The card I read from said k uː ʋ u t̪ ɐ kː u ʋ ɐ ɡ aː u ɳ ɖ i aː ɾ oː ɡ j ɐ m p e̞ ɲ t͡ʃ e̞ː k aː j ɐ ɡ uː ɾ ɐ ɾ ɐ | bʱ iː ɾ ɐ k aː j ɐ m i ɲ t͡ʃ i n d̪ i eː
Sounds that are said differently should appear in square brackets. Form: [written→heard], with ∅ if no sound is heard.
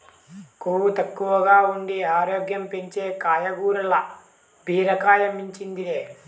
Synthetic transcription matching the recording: k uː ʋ u t̪ ɐ kː u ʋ ɐ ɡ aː u ɳ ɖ i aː ɾ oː ɡ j ɐ m p e̞ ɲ t͡ʃ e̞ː k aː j ɐ ɡ uː ɾ ɐ [ɾ→l] ɐ | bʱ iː ɾ ɐ k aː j ɐ m i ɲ t͡ʃ i n d̪ i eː